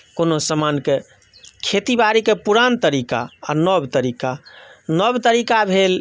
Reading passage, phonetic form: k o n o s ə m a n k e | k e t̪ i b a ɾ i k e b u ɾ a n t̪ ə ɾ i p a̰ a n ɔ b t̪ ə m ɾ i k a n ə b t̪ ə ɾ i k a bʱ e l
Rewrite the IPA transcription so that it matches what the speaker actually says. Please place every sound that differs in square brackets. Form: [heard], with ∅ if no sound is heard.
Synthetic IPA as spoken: k o n o s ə m a n k e | [kʰ] e t̪ i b a ɾ i k e [p] u ɾ a n t̪ ə ɾ i [k] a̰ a n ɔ b t̪ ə [∅] ɾ i k a n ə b t̪ ə ɾ i k a bʱ e l